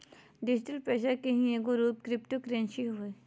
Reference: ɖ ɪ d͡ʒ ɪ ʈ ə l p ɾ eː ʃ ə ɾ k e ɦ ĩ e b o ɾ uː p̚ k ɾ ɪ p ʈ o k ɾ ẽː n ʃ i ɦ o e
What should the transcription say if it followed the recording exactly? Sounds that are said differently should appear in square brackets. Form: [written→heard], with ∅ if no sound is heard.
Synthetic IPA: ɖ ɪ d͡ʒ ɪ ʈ ə l p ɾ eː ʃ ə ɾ k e ɦ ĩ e [b→ɡ] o ɾ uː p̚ k ɾ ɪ p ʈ o k ɾ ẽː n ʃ i ɦ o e

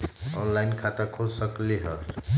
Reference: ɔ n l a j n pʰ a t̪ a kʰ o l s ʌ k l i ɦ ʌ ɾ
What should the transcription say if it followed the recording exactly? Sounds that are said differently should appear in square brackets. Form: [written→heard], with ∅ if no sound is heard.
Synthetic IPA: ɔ n l a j n [pʰ→kʰ] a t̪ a kʰ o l s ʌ k l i ɦ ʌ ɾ

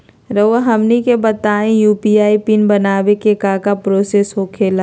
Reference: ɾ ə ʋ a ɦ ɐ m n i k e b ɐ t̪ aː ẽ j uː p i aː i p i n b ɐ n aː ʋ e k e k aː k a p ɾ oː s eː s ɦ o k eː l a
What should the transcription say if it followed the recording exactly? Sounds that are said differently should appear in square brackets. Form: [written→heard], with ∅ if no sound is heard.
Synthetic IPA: ɾ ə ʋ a ɦ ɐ m n i k e b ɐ t̪ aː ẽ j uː p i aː i p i n b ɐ n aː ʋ e k e k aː k a p ɾ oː s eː s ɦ o [k→kʰ] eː l a

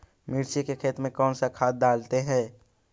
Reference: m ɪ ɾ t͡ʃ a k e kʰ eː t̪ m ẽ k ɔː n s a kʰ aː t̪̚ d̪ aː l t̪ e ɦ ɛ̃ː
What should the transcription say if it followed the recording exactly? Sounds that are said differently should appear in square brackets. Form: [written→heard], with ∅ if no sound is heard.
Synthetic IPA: m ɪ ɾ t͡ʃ [a→i] k e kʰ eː t̪ m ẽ k ɔː n s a kʰ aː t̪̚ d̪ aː l t̪ e ɦ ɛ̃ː

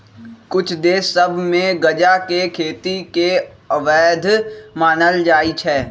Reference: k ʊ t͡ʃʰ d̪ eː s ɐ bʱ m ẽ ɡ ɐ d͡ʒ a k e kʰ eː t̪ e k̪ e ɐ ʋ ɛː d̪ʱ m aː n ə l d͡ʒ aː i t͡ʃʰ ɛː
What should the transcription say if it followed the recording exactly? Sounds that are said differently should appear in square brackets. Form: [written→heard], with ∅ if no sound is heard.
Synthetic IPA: k ʊ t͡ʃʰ d̪ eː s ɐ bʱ m ẽ ɡ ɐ d͡ʒ a k e kʰ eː t̪ [e→i] k̪ e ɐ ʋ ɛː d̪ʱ m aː n ə l d͡ʒ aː i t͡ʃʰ ɛː

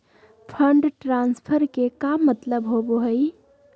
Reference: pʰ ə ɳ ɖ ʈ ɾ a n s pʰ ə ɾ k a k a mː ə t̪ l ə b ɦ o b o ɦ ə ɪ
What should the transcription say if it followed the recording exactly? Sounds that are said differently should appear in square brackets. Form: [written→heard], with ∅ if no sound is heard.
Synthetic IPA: pʰ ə ɳ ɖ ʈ ɾ a n s pʰ ə ɾ k [a→e] k a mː ə t̪ l ə b ɦ o b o ɦ ə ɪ

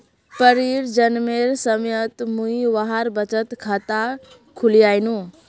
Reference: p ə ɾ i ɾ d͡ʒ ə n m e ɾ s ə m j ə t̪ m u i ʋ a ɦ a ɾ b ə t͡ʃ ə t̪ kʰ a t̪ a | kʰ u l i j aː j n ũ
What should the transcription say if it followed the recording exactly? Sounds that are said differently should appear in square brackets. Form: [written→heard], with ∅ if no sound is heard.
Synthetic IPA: p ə ɾ i ɾ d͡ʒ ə n m e ɾ s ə m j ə t̪ m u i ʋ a ɦ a ɾ b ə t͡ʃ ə t̪ kʰ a t̪ a | kʰ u l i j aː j n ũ

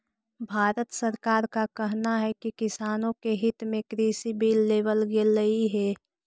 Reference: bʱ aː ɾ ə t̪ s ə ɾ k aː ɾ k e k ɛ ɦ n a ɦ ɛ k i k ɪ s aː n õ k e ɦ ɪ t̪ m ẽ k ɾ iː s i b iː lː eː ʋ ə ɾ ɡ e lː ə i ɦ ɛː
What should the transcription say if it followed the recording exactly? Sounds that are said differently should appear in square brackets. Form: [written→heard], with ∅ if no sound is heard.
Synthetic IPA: bʱ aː ɾ ə t̪ s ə ɾ k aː ɾ k [e→a] k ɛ ɦ n a ɦ ɛ k i k ɪ s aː n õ k e ɦ ɪ t̪ m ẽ k ɾ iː s i b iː lː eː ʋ ə [ɾ→l] ɡ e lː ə i ɦ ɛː

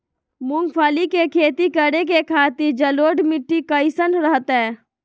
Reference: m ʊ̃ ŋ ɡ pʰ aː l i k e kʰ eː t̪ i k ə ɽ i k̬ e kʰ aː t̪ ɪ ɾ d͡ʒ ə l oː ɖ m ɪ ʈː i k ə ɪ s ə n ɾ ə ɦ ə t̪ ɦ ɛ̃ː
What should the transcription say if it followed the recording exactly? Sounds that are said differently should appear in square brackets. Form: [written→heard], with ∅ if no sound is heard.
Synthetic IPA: m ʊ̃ ŋ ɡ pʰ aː l i k e kʰ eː t̪ i k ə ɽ [i→e] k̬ e kʰ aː t̪ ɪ ɾ d͡ʒ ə l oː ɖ m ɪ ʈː i k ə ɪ s ə n ɾ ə ɦ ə t̪ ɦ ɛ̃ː

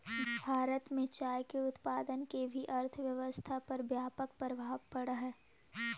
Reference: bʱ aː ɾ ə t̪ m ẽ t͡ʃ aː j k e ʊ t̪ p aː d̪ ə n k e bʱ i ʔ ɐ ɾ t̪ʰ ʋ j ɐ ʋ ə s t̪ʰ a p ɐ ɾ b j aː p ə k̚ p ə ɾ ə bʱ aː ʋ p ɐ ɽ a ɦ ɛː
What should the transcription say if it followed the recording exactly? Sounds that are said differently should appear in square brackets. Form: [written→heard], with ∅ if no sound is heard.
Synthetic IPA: bʱ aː ɾ ə t̪ m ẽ t͡ʃ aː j k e ʊ t̪ p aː d̪ ə n k e bʱ i ʔ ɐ ɾ t̪ʰ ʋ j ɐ ʋ ə s t̪ʰ a p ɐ ɾ b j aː p ə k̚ p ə ɾ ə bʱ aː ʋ p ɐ ɽ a ɦ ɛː

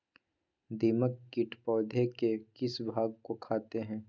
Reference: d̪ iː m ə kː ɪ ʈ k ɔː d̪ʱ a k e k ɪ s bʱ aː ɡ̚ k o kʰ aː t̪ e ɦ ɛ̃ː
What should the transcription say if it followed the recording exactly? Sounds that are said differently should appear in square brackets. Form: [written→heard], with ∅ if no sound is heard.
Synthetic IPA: d̪ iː m ə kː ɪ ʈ [k→p] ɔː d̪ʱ [a→e] k e k ɪ s bʱ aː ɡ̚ k o kʰ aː t̪ e ɦ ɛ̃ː

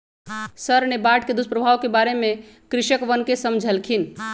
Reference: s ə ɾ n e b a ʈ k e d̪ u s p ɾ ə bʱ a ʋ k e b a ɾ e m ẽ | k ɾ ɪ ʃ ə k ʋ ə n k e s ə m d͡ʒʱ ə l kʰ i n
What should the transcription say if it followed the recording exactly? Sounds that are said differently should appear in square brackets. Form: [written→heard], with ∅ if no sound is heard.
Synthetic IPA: s ə ɾ n e b a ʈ k e d̪ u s p ɾ ə bʱ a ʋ k e b a ɾ e m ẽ | k ɾ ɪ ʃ ə k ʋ ə n k e s ə m d͡ʒʱ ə l kʰ i n

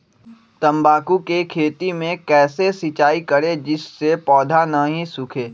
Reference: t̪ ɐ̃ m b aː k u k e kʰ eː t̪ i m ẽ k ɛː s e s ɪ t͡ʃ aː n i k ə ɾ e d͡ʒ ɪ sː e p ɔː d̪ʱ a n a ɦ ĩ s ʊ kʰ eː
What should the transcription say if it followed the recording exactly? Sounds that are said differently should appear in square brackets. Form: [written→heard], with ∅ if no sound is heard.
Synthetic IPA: t̪ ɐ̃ m b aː k u k e kʰ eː t̪ i m ẽ k ɛː s e s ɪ t͡ʃ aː [n→∅] i k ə ɾ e d͡ʒ ɪ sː e p ɔː d̪ʱ a n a ɦ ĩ s ʊ kʰ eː

